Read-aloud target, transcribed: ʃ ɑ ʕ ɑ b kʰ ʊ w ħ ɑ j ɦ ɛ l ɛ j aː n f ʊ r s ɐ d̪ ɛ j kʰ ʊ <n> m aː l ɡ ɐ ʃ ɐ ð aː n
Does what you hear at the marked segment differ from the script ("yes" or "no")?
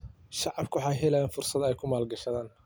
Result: yes